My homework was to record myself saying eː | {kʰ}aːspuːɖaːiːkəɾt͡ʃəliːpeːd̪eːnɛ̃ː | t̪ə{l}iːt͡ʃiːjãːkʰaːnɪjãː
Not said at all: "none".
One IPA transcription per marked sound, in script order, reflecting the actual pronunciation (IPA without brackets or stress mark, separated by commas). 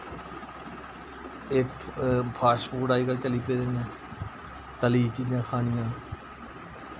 pʰ, l